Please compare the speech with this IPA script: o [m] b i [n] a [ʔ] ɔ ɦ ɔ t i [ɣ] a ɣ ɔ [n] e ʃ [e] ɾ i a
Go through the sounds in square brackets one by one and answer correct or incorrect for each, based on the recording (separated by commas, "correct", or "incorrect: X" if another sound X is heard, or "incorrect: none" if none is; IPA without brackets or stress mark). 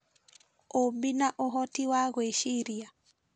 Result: correct, correct, correct, incorrect: w, incorrect: none, incorrect: i